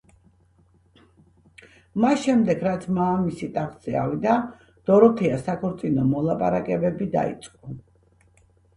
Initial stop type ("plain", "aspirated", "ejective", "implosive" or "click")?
plain